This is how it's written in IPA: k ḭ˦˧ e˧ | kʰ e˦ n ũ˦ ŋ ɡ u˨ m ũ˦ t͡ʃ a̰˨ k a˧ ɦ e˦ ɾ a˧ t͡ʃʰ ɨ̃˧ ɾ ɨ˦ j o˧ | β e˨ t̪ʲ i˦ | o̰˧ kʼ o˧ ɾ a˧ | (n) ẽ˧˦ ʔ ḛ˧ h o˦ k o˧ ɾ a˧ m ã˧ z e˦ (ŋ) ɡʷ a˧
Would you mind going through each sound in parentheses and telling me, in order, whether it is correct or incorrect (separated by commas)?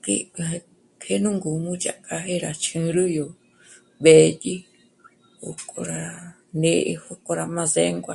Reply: correct, correct